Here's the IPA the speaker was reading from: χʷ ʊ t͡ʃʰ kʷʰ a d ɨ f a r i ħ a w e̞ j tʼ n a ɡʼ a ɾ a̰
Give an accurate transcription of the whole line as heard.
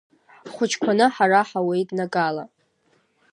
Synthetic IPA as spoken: χʷ ʊ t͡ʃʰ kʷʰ a n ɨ ħ a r a ħ a w e̞ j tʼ n a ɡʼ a l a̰